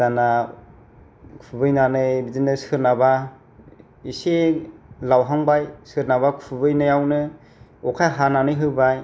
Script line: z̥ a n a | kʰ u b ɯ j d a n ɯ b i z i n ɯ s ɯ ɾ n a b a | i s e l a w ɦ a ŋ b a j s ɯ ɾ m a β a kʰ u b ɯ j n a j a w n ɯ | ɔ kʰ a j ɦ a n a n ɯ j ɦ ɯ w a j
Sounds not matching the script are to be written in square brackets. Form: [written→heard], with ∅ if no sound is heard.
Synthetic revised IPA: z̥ a n a | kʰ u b ɯ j [d→n] a n ɯ b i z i n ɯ s ɯ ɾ n a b a | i s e l a w ɦ a ŋ b a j s ɯ ɾ [m→n] a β a kʰ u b ɯ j n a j a w n ɯ | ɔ kʰ a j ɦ a n a n ɯ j ɦ ɯ [w→b] a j